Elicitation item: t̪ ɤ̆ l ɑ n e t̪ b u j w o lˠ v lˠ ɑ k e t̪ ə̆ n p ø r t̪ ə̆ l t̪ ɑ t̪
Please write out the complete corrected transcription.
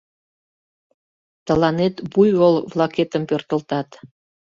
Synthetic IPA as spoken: t̪ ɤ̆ l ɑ n e t̪ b u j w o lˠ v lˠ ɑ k e t̪ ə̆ m p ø r t̪ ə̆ l t̪ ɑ t̪